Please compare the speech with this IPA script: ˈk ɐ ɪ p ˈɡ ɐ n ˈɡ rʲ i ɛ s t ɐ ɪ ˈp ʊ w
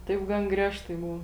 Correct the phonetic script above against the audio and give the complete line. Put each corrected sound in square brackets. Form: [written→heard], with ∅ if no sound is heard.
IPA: [ˈk→ˈt] ɐ ɪ p ˈɡ ɐ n ˈɡ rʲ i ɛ [s→ʃ] t ɐ ɪ [ˈp→ˈb] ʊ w